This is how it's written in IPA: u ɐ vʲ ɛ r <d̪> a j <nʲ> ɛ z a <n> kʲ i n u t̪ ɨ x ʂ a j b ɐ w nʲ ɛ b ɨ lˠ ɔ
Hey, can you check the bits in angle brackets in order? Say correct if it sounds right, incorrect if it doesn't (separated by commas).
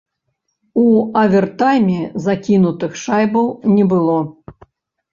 incorrect, incorrect, incorrect